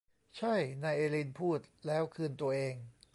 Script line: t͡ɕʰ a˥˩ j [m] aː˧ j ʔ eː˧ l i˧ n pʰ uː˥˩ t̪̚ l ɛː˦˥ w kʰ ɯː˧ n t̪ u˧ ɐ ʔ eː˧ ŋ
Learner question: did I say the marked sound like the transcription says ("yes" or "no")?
no